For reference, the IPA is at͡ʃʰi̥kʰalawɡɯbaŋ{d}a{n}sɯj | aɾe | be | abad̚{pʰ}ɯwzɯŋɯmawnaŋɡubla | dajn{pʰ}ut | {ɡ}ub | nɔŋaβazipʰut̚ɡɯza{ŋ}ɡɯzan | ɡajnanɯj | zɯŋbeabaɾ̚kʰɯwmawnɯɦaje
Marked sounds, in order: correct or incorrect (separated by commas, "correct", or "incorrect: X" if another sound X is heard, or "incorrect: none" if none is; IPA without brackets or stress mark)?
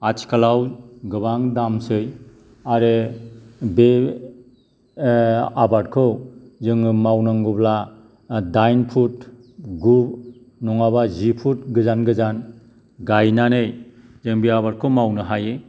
correct, incorrect: m, incorrect: kʰ, correct, correct, incorrect: n